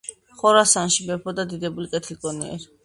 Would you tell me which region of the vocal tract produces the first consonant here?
uvula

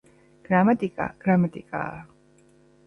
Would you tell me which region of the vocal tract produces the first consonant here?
velum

